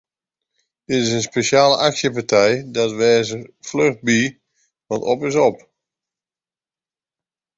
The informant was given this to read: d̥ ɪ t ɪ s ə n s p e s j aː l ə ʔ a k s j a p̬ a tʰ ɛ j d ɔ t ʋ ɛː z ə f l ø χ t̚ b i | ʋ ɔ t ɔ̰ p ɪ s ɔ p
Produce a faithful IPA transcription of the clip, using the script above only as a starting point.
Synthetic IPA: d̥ ɪ t ɪ s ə n s p e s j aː l ə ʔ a k s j ə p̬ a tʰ ɛ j d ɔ t ʋ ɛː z ə f l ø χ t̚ b i | ʋ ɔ t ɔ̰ p ɪ s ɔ p